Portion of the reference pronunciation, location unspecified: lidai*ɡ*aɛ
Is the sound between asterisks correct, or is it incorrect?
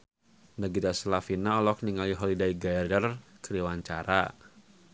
correct